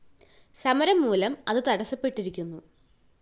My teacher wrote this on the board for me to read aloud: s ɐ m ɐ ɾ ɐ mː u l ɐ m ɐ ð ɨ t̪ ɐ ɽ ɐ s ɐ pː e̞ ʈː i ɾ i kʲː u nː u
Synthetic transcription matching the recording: s ɐ m ɐ ɾ ɐ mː uː l ɐ m ɐ ð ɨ t̪ ɐ ɽ ɐ s ɐ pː e̞ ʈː i ɾ i kʲː u nː u